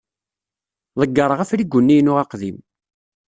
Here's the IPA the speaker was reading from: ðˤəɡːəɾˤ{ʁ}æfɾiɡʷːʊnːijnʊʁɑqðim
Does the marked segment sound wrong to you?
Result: no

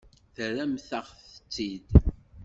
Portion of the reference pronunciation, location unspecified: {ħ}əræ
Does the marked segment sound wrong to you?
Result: yes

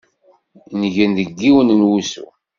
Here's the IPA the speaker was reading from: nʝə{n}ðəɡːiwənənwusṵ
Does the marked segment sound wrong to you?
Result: no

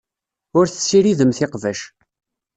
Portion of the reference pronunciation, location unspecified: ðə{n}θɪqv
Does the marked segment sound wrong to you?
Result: yes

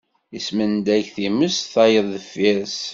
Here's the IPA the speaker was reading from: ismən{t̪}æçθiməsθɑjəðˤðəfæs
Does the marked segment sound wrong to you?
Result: yes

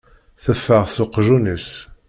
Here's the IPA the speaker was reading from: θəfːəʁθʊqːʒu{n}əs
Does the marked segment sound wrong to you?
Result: no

